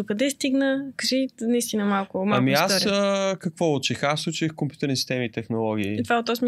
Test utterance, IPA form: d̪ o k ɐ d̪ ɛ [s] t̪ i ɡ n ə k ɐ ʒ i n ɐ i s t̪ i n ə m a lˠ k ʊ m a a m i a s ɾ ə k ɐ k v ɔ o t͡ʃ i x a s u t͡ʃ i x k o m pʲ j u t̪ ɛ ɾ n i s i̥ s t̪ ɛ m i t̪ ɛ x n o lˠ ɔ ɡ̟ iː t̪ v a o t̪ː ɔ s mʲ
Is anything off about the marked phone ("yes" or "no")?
no